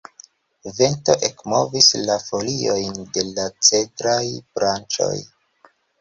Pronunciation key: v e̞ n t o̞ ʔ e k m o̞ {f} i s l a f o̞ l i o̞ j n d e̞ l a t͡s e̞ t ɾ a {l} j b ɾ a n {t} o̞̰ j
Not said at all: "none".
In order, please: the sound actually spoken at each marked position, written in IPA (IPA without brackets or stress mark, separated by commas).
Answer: v, none, t͡ʃ